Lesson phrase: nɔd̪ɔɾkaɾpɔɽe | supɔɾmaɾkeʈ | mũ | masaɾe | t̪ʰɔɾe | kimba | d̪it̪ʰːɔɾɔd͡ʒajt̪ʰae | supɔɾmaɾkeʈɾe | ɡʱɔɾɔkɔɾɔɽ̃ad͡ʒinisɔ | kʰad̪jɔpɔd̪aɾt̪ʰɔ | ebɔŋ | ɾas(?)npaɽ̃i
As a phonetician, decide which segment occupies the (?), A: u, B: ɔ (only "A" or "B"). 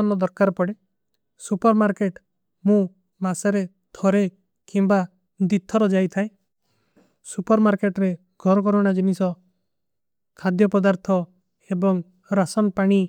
B